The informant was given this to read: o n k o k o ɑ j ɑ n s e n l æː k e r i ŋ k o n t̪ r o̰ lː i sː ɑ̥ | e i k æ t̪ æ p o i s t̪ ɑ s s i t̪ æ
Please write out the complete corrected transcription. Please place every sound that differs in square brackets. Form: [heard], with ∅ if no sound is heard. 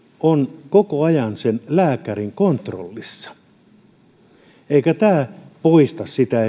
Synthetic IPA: o n k o k o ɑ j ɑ n s e n l æː k [æ] r i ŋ k o n t̪ r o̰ lː i sː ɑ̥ | e i k æ t̪ [æː] p o i s t̪ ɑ s s i t̪ æ